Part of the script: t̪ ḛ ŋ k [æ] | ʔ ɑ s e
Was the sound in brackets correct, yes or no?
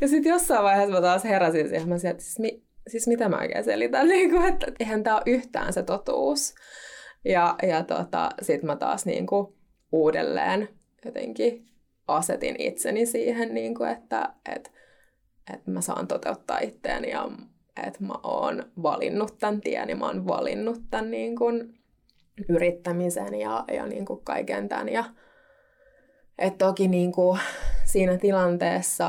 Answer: no